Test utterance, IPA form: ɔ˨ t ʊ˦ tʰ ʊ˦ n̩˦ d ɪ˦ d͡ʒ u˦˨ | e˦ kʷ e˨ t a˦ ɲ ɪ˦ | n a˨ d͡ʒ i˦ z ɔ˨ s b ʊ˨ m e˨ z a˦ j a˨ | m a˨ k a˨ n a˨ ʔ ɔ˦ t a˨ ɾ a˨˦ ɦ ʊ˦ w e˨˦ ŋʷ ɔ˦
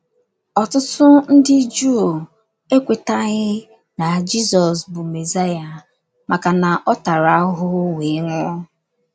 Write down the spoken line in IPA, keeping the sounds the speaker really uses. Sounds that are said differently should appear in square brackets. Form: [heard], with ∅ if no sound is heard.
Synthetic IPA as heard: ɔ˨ t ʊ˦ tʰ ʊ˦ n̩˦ d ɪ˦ d͡ʒ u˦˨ | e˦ kʷ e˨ t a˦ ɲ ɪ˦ | n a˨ d͡ʒ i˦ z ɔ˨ s b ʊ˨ m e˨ z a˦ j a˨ | m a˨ k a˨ n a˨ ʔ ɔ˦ t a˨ ɾ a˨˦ ɦ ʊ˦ w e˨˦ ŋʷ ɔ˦